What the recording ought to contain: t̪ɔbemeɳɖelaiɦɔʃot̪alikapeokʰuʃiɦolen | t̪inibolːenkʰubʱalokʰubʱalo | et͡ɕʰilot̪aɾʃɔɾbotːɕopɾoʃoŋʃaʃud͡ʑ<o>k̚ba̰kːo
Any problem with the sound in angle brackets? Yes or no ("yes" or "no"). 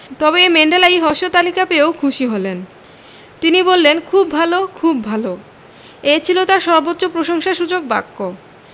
no